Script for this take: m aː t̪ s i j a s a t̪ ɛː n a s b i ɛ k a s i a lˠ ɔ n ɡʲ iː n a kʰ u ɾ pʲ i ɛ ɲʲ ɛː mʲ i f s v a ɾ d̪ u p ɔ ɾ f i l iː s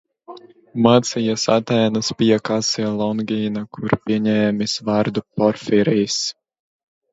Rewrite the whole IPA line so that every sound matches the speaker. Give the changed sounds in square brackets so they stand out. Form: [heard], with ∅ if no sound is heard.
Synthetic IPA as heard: m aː t̪ s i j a s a t̪ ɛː n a s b i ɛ k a s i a lˠ ɔ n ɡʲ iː n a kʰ u ɾ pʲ i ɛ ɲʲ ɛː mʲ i [∅] s v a ɾ d̪ u p ɔ ɾ f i [ɾ] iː s